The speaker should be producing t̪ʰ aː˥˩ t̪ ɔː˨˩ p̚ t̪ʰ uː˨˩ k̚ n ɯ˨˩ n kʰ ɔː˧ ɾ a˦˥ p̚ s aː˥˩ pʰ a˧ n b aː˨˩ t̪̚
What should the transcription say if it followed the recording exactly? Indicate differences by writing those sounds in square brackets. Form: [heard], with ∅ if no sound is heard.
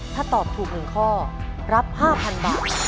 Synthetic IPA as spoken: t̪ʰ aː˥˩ t̪ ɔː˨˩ p̚ t̪ʰ uː˨˩ k̚ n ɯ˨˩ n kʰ [ɔː˥˩] ɾ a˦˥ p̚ [h] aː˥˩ pʰ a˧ n b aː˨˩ t̪̚